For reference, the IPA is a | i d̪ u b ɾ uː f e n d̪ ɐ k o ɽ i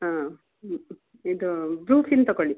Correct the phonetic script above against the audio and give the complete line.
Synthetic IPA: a | i d̪ u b ɾ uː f i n t̪ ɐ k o ɭ i